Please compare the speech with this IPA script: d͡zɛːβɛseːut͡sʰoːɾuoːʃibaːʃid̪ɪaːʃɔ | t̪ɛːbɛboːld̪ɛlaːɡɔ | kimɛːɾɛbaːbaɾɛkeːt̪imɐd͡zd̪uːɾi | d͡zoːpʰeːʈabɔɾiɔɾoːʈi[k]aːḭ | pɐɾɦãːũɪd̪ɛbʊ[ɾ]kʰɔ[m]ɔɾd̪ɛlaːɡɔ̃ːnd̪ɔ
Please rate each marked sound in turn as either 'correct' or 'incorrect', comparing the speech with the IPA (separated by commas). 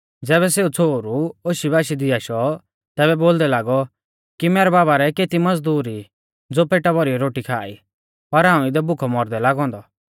incorrect, incorrect, correct